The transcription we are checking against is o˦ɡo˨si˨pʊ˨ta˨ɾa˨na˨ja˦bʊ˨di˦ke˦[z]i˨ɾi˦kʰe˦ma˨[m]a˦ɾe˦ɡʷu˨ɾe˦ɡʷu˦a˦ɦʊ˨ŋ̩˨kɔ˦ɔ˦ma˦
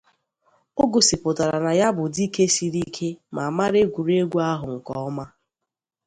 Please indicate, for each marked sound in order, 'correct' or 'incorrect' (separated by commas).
incorrect, correct